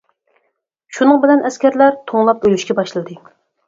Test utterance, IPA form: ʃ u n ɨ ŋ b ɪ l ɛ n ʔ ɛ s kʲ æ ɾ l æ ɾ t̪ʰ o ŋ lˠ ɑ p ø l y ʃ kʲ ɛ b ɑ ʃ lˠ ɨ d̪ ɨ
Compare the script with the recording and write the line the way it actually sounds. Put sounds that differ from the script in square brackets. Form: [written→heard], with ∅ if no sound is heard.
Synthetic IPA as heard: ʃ u n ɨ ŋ b ɪ l ɛ n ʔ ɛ s kʲ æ ɾ l æ ɾ t̪ʰ o ŋ lˠ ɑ p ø l y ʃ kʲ ɛ b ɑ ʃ lˠ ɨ d̪ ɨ

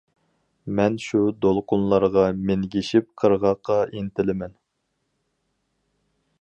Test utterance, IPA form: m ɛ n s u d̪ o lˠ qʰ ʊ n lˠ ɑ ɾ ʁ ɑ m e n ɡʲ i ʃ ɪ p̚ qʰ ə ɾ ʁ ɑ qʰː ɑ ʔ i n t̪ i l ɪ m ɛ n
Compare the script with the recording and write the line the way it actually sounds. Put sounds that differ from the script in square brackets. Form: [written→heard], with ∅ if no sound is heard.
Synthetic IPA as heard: m ɛ n [s→ʃ] u d̪ o lˠ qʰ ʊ n lˠ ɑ ɾ ʁ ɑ m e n ɡʲ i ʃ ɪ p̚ qʰ ə ɾ ʁ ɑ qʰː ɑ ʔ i n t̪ [i→ɪ] l ɪ m ɛ n

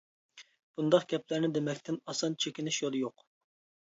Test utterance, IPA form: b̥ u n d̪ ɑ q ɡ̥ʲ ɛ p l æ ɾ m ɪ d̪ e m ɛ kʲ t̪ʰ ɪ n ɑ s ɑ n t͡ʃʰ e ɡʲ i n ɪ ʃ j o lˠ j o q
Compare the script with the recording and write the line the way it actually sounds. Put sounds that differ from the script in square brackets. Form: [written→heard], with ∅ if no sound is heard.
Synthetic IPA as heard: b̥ u n d̪ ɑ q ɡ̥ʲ ɛ p l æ ɾ [m→n] ɪ d̪ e m ɛ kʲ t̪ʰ ɪ n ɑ s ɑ n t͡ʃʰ e [ɡʲ→kʲ] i n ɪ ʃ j o lˠ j o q

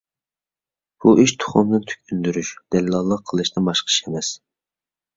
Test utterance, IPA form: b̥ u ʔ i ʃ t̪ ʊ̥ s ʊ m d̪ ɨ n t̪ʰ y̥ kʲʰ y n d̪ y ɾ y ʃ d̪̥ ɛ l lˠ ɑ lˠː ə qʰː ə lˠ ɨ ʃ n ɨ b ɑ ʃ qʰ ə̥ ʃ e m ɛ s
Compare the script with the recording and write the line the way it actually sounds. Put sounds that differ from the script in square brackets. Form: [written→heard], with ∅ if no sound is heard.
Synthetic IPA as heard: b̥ u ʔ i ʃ [t̪→t̪ʰ] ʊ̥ [s→χ] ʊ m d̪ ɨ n t̪ʰ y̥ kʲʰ y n d̪ y ɾ y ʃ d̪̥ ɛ l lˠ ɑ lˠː ə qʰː ə lˠ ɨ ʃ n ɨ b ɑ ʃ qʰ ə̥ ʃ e m ɛ s

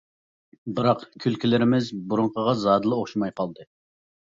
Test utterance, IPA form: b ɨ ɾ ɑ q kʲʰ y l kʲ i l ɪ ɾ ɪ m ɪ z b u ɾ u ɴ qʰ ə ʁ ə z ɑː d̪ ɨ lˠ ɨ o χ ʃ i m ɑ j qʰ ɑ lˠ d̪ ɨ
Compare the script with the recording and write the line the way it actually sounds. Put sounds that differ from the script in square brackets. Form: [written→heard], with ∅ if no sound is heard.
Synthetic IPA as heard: b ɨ ɾ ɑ q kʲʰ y l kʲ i l ɪ ɾ ɪ m ɪ z b u ɾ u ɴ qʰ ə ʁ [ə→ɑ] z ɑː d̪ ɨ lˠ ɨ o χ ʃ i m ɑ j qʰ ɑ lˠ d̪ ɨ

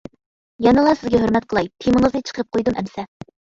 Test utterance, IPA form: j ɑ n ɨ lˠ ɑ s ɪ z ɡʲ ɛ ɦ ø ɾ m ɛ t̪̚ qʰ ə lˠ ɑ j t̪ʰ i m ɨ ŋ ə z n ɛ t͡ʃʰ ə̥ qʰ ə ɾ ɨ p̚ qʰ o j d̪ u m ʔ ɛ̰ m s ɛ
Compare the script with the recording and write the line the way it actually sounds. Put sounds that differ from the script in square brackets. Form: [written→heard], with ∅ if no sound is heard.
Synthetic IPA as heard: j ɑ n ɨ lˠ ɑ s ɪ z ɡʲ ɛ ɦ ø ɾ m ɛ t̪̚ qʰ ə lˠ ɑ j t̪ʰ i m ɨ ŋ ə z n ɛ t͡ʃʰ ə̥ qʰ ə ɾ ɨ p̚ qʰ o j d̪ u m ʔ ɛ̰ m s ɛ

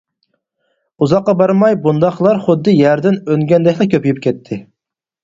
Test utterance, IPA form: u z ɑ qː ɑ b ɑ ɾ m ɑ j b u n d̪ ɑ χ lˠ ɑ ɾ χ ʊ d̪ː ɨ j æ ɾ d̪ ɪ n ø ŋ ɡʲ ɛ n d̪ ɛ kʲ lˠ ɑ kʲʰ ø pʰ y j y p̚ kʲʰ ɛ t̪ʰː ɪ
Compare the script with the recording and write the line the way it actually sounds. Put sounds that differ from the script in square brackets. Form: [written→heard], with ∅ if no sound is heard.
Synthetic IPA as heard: u z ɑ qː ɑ b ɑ ɾ m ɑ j b u n d̪ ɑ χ lˠ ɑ ɾ χ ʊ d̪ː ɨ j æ ɾ d̪ ɪ n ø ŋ ɡʲ ɛ n d̪ ɛ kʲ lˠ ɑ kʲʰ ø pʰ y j y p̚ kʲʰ ɛ t̪ʰː ɪ

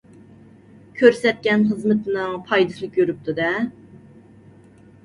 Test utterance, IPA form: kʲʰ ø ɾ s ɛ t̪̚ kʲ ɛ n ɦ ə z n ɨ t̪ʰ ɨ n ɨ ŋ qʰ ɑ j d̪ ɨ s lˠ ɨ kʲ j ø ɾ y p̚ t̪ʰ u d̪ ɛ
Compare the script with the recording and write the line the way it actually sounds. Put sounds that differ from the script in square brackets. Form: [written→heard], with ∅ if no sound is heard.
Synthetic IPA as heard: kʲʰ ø ɾ s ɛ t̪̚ kʲ ɛ n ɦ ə z [n→m] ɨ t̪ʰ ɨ n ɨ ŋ [qʰ→pʰ] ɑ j d̪ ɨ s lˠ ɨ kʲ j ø ɾ y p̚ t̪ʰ u d̪ ɛ

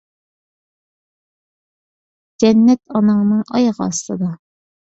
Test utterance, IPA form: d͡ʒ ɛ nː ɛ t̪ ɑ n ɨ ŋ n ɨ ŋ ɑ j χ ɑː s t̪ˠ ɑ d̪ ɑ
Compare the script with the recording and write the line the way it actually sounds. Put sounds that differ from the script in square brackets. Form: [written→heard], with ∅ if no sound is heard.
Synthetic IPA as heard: d͡ʒ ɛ nː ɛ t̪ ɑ n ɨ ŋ n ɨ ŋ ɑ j [χ→ʁ] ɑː s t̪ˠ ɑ d̪ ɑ

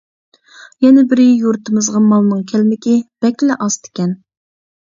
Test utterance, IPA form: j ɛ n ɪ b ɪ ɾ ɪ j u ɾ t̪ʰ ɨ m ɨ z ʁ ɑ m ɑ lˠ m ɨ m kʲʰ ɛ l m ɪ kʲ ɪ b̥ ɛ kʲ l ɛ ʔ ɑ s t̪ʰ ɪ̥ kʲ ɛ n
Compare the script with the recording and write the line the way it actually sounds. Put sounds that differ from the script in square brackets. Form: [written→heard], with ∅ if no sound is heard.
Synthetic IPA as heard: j ɛ n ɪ b ɪ ɾ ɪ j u ɾ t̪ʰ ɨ m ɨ z ʁ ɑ m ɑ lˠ [m→n] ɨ [m→ŋ] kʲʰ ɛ l m ɪ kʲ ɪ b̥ ɛ kʲ l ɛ ʔ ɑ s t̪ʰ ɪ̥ kʲ ɛ n

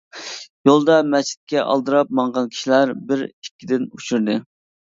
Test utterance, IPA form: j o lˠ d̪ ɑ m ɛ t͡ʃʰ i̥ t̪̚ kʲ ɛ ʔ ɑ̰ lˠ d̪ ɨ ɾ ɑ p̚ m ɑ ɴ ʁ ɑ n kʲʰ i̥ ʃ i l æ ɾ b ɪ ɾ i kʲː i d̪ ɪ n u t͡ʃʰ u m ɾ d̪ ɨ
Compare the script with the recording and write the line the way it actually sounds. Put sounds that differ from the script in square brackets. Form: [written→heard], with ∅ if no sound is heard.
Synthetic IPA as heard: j o lˠ d̪ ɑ m ɛ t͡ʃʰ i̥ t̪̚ kʲ ɛ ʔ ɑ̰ lˠ d̪ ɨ ɾ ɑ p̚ m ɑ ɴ ʁ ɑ n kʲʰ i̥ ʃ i l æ ɾ b ɪ ɾ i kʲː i d̪ ɪ n u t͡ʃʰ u [m→∅] ɾ d̪ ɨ

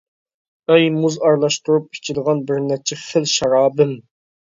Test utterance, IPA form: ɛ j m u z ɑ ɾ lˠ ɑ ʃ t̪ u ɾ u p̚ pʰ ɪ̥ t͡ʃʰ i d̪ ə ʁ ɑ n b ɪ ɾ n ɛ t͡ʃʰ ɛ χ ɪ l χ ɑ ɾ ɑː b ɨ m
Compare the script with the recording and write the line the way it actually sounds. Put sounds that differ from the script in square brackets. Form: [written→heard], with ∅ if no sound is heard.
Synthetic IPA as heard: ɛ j m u z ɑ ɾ lˠ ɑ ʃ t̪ u ɾ u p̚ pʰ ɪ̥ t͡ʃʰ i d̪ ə ʁ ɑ n b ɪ ɾ n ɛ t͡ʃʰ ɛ χ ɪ l [χ→ʃ] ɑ ɾ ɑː b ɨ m

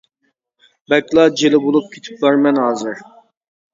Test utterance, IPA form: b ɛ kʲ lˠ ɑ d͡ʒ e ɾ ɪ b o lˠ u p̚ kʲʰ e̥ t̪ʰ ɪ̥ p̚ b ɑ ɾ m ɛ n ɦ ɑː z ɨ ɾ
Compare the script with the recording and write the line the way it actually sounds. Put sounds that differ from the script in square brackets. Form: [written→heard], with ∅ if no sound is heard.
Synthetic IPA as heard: b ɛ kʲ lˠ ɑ d͡ʒ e [ɾ→l] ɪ b o lˠ u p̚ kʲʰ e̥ t̪ʰ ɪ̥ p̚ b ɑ ɾ m ɛ n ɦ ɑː z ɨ ɾ

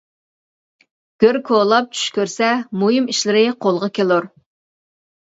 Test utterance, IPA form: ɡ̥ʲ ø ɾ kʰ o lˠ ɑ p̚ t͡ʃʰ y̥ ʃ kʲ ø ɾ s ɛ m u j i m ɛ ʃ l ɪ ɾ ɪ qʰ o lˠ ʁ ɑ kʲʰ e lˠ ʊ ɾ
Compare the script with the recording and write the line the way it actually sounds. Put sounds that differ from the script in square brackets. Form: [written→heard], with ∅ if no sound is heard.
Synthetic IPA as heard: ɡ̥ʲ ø ɾ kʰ o lˠ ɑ p̚ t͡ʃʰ y̥ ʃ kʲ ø ɾ s ɛ m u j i m [ɛ→i] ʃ l ɪ ɾ ɪ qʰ o lˠ ʁ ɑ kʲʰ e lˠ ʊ ɾ

